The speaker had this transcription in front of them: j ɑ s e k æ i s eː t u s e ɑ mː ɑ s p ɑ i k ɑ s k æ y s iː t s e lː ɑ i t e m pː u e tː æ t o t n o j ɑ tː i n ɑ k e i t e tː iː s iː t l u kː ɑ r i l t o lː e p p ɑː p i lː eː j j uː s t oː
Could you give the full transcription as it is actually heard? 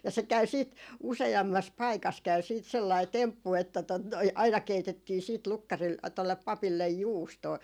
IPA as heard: j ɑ s e k æ y s iː t u s e ɑ mː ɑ s p ɑ i k ɑ s k æ y s iː t s e lː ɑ i t e m pː u e tː æ t o t n o i ɑ i n ɑ k e i t e tː iː s iː t l u kː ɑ r i l t o lː e p p ɑ p i lː e j j uː s t oː